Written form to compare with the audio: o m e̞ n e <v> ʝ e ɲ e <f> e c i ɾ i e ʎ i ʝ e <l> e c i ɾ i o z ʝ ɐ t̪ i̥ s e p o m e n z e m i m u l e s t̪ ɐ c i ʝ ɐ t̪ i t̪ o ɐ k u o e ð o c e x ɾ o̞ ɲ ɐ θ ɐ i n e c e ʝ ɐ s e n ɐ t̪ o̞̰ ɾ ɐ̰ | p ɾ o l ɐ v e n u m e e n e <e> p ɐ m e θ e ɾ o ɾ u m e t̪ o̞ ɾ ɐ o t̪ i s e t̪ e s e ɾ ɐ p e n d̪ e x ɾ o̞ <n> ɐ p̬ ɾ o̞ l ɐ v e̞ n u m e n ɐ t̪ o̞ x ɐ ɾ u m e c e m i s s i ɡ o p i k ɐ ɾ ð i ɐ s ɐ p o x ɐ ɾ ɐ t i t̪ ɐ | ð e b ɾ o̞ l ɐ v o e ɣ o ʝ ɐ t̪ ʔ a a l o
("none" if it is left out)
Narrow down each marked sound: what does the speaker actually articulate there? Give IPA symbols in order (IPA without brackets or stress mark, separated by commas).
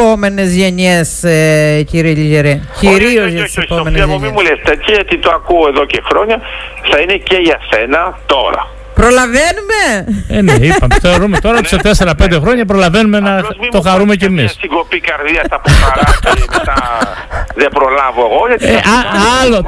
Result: z, s, ɾ, i, ɲ